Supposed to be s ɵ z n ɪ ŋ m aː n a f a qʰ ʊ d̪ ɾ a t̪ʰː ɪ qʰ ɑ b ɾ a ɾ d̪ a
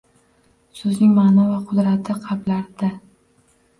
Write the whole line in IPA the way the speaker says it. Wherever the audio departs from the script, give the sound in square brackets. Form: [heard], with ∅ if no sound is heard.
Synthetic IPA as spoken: s ɵ z n ɪ ŋ m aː n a [v] a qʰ ʊ d̪ ɾ a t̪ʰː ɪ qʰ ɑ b [l] a ɾ d̪ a